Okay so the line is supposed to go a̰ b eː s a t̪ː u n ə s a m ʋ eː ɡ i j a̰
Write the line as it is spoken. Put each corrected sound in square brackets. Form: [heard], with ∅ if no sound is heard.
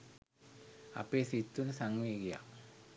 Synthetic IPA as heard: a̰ [p] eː s [i] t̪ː u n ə s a [ŋ] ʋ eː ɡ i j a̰